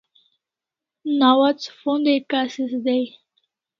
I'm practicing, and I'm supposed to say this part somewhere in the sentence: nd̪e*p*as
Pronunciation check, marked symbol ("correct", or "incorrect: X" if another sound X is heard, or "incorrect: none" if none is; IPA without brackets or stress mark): incorrect: k